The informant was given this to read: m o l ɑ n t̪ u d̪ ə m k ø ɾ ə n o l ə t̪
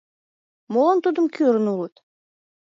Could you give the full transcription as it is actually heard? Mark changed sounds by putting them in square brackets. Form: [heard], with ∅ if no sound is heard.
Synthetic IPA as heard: m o l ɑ n t̪ u d̪ ə m k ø ɾ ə n [u] l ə t̪